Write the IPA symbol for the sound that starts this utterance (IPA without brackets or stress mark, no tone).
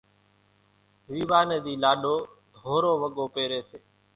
ʋ